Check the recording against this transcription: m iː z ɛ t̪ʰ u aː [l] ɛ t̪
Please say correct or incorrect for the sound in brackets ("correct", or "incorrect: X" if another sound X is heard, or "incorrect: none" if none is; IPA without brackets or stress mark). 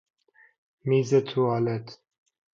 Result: correct